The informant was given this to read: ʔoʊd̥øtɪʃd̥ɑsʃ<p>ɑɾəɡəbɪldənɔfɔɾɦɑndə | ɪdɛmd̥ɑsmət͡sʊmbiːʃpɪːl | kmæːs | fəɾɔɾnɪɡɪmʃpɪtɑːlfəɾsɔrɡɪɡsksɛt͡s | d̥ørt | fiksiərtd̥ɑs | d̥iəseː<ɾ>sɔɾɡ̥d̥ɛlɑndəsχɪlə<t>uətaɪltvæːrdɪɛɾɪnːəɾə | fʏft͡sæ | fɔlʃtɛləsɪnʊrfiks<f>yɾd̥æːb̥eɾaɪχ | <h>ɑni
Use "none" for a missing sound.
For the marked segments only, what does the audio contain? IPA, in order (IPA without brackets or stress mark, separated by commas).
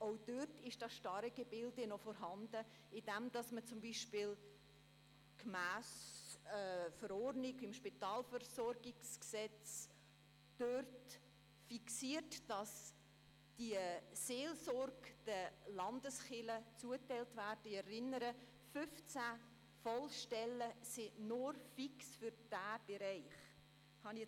t, l, t͡s, f, h